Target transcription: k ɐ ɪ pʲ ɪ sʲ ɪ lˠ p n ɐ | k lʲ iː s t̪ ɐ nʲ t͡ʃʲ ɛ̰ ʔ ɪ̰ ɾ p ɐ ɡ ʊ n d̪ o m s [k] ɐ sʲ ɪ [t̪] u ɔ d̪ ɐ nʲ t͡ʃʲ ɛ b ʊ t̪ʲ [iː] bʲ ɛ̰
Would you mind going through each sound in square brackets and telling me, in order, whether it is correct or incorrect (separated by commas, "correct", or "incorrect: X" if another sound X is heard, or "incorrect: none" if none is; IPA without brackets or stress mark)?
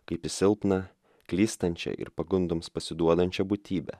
incorrect: p, incorrect: d̪, correct